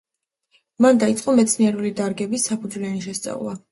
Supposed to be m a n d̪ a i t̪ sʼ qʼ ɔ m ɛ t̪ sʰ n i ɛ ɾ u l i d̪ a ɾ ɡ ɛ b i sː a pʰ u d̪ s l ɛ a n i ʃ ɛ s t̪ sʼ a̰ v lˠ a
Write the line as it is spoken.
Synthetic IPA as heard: m a n d̪ a i t̪ sʼ qʼ ɔ m ɛ t̪ sʰ n i ɛ ɾ u l i d̪ a ɾ ɡ ɛ b i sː a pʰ u d̪ z l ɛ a n i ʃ ɛ s t̪ sʼ a̰ v lˠ a